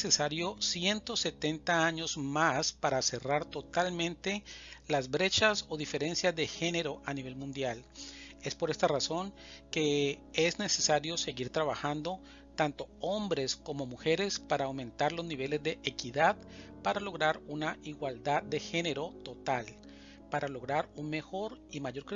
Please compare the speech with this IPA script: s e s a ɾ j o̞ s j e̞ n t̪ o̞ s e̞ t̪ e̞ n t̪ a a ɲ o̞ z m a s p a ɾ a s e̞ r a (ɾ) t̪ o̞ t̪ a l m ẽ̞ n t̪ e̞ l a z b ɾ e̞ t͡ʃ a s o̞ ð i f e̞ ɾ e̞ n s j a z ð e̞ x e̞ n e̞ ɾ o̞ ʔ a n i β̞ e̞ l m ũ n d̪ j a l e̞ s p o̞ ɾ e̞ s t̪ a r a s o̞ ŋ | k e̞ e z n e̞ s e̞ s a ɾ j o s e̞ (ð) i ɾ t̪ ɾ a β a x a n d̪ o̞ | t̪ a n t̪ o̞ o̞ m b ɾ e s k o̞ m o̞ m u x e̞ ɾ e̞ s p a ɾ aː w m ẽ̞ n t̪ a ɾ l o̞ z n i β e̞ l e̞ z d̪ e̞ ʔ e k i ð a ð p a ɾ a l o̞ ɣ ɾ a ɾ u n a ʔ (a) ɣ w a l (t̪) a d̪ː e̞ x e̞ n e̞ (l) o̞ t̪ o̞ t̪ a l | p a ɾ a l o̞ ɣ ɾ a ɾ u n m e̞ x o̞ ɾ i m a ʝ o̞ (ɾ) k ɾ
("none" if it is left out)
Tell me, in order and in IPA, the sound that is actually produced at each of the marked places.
ɾ, ɣ, i, d̪, ɾ, ɾ

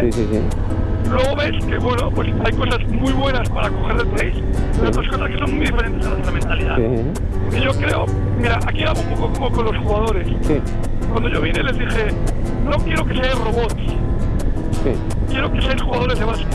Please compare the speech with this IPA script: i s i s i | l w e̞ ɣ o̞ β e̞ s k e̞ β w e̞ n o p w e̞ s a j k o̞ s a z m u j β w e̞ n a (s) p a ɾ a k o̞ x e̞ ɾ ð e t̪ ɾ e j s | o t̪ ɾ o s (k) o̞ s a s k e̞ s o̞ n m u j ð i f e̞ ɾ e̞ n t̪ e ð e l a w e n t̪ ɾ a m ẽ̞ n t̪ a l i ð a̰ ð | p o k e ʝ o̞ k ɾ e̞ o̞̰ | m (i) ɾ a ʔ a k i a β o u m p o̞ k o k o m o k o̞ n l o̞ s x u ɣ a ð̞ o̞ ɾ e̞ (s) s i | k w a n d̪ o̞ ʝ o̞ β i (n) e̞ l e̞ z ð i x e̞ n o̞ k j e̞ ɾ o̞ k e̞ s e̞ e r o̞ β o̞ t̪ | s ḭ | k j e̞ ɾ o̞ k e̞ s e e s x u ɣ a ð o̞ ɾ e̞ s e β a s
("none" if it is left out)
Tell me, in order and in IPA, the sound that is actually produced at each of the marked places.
s, k, i, s, n

